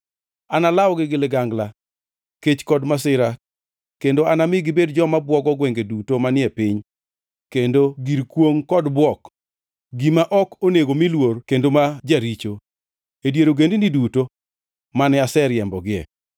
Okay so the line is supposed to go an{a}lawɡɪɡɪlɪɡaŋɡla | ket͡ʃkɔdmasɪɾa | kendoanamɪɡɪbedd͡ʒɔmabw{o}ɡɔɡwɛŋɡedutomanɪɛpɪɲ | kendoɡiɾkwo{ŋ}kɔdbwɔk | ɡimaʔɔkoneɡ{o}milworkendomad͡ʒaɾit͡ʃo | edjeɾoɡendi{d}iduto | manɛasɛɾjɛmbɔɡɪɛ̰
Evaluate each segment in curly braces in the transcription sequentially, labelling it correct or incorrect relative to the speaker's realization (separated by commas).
correct, incorrect, correct, correct, incorrect